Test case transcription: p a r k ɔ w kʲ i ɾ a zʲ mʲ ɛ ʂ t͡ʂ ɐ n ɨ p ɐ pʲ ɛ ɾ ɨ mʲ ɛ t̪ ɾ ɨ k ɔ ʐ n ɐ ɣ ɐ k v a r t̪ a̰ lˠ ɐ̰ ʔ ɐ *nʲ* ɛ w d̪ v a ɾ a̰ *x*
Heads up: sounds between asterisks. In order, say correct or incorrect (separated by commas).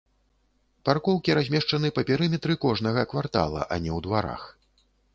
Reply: correct, correct